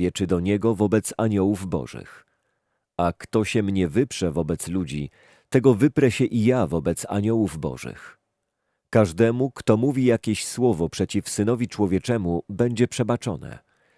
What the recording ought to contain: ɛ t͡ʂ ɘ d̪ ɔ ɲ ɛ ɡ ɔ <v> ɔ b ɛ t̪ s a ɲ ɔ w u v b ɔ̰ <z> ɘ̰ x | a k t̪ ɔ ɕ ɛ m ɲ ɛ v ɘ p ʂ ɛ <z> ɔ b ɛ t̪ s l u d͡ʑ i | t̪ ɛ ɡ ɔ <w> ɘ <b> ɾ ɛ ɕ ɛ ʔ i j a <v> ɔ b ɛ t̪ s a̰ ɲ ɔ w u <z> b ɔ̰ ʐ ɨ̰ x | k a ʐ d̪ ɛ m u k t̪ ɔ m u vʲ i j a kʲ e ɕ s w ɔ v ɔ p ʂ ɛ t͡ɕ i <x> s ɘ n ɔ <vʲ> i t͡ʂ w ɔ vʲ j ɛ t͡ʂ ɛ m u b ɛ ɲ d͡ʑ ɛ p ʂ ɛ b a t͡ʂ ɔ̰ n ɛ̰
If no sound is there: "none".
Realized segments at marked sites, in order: v, ʐ, v, v, p, v, v, f, vʲ

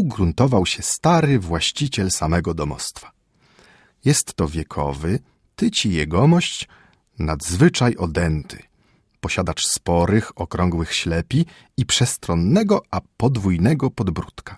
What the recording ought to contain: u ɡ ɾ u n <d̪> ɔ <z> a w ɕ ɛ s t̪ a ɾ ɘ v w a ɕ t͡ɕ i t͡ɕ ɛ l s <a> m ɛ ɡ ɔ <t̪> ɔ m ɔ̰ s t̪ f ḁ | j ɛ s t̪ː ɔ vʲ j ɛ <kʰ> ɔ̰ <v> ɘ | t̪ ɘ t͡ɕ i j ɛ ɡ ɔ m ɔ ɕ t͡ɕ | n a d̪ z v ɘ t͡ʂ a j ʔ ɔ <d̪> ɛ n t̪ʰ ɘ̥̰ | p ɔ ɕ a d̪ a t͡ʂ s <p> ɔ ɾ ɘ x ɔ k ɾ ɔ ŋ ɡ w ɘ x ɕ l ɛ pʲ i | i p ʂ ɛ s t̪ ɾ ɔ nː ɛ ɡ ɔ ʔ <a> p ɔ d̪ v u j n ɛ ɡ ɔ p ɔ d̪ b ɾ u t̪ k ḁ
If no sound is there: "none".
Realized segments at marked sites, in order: t̪, v, a, d̪, kʰ, v, d̪, p, a

